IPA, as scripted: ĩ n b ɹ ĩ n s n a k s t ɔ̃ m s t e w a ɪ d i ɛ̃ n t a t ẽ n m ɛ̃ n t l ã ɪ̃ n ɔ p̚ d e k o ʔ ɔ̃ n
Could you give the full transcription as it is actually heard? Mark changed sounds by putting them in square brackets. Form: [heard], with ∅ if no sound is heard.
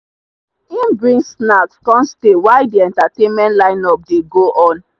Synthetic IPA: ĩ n b ɹ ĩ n s n a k s [k] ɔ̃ m s t e w a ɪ d i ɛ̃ n t a t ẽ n m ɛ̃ n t l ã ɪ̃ n ɔ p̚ d e [ɡ] o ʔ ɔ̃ n